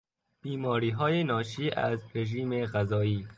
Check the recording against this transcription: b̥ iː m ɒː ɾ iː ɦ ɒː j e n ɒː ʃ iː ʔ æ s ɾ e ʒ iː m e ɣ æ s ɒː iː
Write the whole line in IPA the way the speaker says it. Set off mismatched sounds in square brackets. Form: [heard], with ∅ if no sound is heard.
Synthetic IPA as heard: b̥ iː m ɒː ɾ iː ɦ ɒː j e n ɒː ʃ iː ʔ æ [z] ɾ e ʒ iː m e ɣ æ [z] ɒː iː